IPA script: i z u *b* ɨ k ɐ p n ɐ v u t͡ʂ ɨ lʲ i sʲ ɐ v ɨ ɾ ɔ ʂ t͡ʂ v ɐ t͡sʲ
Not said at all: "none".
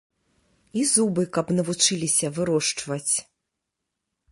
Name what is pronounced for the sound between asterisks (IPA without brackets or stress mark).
b